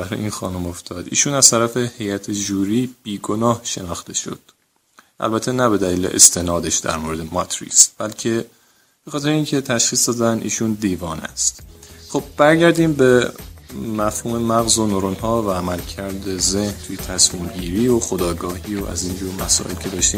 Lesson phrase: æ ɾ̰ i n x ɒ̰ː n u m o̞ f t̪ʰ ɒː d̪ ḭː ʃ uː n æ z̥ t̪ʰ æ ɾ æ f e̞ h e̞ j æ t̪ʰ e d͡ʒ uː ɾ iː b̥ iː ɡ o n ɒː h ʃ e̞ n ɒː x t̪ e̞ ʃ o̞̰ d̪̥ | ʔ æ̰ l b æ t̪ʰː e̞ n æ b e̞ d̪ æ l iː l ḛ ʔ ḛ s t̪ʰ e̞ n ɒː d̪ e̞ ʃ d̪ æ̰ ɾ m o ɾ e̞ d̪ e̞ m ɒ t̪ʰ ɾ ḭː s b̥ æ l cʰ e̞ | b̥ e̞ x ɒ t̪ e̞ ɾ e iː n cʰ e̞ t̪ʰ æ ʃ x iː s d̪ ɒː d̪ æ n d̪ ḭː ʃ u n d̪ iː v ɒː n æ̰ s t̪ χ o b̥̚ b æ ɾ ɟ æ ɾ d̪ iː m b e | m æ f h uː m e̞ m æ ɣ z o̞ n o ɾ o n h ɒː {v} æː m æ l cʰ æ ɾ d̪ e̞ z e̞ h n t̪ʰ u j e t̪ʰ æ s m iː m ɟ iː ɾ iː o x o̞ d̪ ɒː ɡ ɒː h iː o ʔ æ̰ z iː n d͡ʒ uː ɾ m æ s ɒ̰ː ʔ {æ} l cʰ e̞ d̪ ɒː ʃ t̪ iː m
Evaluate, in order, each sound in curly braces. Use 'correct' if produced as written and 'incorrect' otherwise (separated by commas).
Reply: correct, incorrect